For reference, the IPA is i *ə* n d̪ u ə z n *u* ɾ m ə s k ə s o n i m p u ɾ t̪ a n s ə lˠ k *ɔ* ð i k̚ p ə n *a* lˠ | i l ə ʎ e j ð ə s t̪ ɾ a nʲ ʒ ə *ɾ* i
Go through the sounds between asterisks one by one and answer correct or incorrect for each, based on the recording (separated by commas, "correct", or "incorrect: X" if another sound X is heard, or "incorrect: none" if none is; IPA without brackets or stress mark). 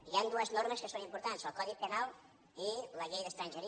incorrect: a, incorrect: o, correct, correct, correct